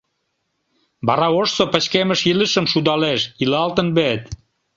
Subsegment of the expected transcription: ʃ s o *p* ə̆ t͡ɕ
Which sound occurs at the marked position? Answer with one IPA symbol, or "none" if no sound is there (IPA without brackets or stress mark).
p